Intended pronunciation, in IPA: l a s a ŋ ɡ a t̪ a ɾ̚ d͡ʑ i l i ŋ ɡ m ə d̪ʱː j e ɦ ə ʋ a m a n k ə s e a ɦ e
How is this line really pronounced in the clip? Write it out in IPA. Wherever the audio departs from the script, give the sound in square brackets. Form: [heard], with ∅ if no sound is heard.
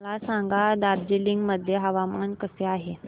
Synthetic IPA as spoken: l a s a ŋ ɡ a [d̪] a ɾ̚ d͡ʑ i l i ŋ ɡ m ə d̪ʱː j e ɦ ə ʋ a m a n k ə s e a ɦ e